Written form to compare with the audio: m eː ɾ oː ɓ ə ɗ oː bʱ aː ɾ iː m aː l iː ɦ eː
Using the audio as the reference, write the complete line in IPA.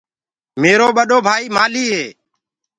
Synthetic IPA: m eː ɾ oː ɓ ə ɗ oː bʱ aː iː m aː l iː ɦ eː

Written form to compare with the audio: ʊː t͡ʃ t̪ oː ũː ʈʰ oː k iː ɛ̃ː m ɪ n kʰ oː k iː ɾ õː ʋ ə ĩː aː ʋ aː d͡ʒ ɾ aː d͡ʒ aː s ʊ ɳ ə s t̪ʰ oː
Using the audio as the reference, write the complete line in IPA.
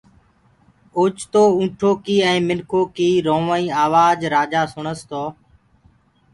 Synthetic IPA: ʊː t͡ʃ t̪ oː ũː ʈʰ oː k iː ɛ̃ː m ɪ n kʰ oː k iː ɾ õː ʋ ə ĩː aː ʋ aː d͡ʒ ɾ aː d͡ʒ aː s ʊ ɳ ə s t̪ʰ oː

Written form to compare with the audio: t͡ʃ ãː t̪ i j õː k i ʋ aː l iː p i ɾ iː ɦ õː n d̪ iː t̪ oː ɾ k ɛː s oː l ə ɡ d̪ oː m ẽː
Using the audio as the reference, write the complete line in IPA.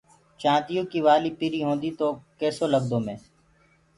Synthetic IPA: t͡ʃ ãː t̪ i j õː k i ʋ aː l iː p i ɾ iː ɦ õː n d̪ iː t̪ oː k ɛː s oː l ə ɡ d̪ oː m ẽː

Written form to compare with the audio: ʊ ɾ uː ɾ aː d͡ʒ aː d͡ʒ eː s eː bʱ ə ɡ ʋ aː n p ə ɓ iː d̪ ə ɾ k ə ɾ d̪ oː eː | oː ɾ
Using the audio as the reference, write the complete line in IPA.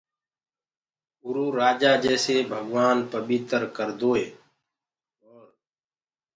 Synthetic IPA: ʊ ɾ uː ɾ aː d͡ʒ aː d͡ʒ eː s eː bʱ ə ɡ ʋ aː n p ə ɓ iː t̪ ə ɾ k ə ɾ d̪ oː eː | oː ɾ

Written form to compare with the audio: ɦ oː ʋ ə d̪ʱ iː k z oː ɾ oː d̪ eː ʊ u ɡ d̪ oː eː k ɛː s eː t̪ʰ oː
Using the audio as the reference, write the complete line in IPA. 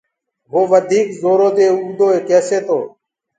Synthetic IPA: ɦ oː ʋ ə d̪ʱ iː k z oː ɾ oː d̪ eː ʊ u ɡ d̪ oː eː k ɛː s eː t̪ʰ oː

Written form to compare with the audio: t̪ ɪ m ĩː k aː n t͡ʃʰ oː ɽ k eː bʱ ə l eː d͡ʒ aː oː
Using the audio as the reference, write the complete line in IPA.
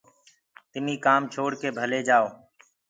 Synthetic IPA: t̪ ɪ m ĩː k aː m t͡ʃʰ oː ɽ k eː bʱ ə l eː d͡ʒ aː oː

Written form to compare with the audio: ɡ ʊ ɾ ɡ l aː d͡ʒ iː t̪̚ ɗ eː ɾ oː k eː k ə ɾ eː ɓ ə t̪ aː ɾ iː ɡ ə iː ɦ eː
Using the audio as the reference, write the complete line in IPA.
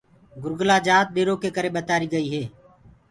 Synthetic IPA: ɡ ʊ ɾ ɡ l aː d͡ʒ aː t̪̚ ɗ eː ɾ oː k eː k ə ɾ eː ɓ ə t̪ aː ɾ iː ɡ ə iː ɦ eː

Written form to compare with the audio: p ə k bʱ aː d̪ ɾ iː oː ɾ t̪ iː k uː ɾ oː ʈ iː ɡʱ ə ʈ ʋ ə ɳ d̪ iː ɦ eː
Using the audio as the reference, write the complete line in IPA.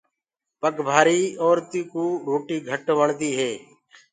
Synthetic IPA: p ə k bʱ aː ɾ iː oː ɾ t̪ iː k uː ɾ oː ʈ iː ɡʱ ə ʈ ʋ ə ɳ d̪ iː ɦ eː

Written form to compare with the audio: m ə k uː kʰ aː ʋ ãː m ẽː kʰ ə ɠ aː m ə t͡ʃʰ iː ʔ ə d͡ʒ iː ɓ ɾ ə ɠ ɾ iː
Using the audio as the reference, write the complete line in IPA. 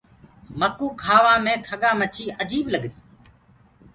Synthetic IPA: m ə k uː kʰ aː ʋ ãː m ẽː kʰ ə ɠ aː m ə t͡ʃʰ iː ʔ ə d͡ʒ iː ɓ l ə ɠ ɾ iː

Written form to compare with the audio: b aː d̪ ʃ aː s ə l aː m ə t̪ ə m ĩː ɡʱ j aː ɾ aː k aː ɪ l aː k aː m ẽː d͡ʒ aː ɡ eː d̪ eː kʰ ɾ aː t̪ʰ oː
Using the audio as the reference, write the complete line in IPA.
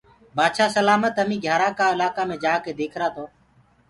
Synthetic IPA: b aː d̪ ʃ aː s ə l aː m ə t̪ ə m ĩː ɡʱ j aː ɾ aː k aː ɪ l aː k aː m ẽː d͡ʒ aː k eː d̪ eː kʰ ɾ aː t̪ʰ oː

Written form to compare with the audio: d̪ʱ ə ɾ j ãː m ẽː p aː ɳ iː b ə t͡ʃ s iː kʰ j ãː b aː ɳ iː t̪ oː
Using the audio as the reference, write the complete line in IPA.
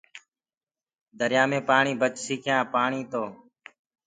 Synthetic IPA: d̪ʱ ə ɾ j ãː m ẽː p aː ɳ iː b ə t͡ʃ s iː kʰ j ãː p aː ɳ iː t̪ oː

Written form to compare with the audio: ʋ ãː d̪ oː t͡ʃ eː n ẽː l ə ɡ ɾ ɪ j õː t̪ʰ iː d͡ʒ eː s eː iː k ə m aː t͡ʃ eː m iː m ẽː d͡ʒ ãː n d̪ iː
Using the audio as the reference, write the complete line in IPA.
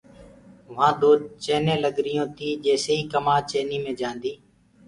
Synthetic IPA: ʋ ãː d̪ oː t͡ʃ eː n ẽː l ə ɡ ɾ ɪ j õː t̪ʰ iː d͡ʒ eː s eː iː k ə m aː t͡ʃ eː n iː m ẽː d͡ʒ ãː n d̪ iː

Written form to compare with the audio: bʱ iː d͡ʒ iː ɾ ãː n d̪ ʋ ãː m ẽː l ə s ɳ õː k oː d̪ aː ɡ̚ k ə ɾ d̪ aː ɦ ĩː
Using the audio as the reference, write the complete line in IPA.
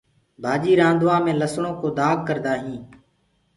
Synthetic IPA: bʱ aː d͡ʒ iː ɾ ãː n d̪ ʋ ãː m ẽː l ə s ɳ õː k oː d̪ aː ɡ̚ k ə ɾ d̪ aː ɦ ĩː

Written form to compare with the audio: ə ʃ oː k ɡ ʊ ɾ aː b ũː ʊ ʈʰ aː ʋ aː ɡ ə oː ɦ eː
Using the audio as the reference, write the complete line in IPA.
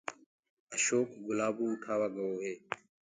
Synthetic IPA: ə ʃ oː k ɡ ʊ l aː b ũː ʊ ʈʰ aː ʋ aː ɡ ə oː ɦ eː

